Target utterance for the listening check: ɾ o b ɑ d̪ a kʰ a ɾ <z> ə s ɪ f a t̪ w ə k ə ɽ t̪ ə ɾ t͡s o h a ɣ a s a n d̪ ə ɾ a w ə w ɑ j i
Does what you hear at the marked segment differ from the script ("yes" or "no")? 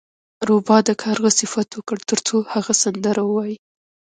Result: yes